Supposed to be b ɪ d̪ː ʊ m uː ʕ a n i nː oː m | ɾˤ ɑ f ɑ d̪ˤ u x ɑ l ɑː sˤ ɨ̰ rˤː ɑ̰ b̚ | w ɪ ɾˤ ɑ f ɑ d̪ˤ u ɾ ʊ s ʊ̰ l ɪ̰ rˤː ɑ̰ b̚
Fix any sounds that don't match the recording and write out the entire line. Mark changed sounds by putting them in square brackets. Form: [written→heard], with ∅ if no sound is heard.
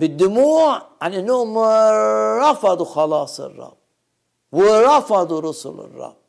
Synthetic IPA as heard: b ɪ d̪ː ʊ m uː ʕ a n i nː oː m | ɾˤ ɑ f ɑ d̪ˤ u x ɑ l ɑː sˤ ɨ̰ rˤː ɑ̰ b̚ | w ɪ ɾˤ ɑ f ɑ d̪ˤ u ɾ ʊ s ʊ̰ l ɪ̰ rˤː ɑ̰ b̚